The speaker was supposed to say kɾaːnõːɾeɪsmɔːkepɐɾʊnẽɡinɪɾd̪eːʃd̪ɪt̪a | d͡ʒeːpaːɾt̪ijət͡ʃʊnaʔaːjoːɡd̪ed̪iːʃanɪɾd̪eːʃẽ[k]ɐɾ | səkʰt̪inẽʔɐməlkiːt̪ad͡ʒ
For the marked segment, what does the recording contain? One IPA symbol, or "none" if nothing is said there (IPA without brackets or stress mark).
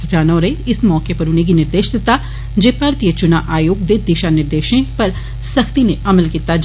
p